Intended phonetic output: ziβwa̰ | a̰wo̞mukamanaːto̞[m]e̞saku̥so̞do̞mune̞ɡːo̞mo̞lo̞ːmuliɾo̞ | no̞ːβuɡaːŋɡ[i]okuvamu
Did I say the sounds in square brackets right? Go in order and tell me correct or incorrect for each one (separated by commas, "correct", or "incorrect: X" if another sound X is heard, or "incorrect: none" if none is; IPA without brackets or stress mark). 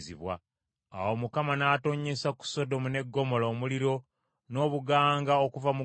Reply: incorrect: ɲ, incorrect: a